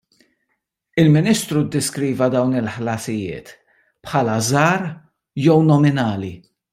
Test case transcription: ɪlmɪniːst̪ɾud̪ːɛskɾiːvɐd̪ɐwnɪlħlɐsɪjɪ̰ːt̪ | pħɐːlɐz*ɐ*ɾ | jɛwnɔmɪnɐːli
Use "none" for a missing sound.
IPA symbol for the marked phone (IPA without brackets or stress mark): ɐː